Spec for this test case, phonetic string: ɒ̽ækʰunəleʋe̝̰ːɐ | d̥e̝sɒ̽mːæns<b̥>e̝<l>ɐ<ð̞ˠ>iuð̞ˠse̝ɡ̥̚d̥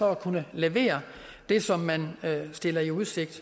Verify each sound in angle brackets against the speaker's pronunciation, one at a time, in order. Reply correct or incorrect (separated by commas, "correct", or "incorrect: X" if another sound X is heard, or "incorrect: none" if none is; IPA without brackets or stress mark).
incorrect: d̥, correct, incorrect: none